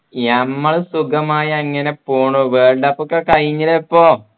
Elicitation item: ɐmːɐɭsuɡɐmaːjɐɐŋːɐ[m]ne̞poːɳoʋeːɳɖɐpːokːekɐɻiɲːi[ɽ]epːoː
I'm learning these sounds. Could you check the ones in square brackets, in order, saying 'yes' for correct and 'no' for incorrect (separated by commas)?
no, no